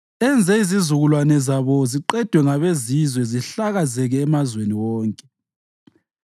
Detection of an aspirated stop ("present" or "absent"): absent